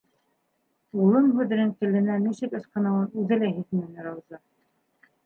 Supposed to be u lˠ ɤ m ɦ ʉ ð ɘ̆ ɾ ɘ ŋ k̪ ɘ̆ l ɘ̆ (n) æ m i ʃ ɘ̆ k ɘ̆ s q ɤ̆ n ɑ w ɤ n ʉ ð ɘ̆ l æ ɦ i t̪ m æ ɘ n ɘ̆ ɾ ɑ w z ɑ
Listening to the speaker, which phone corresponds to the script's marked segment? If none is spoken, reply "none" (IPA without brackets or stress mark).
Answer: n